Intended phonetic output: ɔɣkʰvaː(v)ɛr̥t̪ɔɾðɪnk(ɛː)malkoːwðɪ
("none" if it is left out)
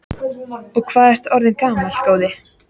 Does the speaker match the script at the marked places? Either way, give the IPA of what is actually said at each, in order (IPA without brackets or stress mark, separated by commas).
ð, aː